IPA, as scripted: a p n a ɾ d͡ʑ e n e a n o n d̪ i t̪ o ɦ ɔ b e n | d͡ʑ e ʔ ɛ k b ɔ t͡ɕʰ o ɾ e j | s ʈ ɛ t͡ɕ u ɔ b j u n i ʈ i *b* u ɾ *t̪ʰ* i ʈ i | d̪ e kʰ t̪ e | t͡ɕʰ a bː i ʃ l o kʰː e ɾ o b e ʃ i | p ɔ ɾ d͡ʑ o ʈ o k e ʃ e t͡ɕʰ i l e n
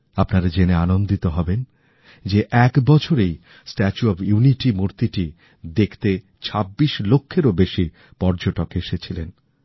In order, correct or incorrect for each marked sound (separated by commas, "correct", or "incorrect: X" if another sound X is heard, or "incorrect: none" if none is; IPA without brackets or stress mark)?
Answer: incorrect: m, incorrect: t̪